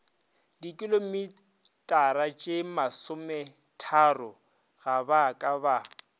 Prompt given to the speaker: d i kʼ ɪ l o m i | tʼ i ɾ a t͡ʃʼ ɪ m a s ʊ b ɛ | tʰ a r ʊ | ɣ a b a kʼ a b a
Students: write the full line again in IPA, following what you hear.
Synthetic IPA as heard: d i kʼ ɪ l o m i | tʼ a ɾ a t͡ʃʼ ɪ m a s ʊ m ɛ | tʰ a r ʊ | ɣ a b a kʼ a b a

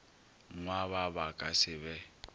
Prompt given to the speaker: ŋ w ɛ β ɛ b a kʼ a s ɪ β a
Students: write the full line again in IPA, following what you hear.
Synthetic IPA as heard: ŋ w a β a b a kʼ a s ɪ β ɛ

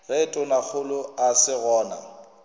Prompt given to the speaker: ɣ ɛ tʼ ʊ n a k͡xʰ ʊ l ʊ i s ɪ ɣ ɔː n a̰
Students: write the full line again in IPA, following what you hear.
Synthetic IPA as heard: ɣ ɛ tʼ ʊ n a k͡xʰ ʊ l ʊ a s ɪ ɣ ɔː n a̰

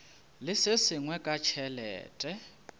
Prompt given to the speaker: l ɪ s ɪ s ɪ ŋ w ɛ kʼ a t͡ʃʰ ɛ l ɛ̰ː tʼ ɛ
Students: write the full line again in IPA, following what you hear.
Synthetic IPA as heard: l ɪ s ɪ s ɪ ŋ w ɛ kʼ a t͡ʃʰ ɛ l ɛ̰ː tʼ ɛ

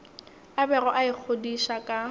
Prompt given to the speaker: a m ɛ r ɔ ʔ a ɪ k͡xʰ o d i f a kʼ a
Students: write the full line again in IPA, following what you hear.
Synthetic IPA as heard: a b ɛ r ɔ ʔ a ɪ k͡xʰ o d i ʃ a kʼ a

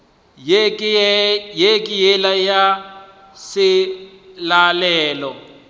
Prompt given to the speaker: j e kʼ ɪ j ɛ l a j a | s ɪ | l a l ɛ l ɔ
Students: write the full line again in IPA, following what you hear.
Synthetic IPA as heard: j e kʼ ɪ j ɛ l a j a | s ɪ | l a l ɛː l ɔ

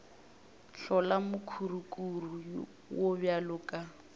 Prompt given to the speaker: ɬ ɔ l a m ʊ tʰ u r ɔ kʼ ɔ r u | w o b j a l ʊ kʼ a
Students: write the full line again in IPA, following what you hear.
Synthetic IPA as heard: ɬ ɔ l a m ʊ kʰ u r u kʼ u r u | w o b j a l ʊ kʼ a

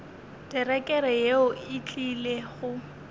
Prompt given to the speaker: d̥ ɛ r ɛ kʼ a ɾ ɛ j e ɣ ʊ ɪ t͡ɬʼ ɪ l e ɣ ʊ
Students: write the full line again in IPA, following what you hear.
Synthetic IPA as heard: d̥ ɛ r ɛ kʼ ɛ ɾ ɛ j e ʊ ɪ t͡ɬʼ i l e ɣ ʊ

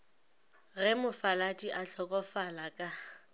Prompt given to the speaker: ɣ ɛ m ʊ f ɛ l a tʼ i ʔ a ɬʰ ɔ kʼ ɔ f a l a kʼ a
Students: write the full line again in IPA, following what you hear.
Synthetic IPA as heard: ɣ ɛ m ʊ f a l a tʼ i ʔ a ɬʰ ɔ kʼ ɔ f a l a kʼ a

